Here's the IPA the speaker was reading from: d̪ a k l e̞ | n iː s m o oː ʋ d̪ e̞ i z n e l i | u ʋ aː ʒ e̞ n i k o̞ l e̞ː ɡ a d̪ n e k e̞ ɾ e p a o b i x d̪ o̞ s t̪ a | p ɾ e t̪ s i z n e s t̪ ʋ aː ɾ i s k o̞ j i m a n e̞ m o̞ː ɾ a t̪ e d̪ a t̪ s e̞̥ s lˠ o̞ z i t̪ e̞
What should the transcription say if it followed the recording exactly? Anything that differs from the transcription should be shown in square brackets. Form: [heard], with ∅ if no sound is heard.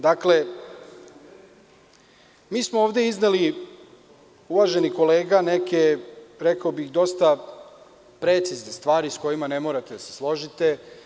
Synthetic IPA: d̪ a k l e̞ | [m] iː s m o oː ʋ d̪ e̞ i z n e l i | u ʋ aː ʒ e̞ n i k o̞ l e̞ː ɡ a [∅] n e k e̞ ɾ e [k] a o b i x d̪ o̞ s t̪ a | p ɾ e t̪ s i z n e s t̪ ʋ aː ɾ i s k o̞ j i m a n e̞ m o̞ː ɾ a t̪ e d̪ a [∅] s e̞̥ s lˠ o̞ [ʒ] i t̪ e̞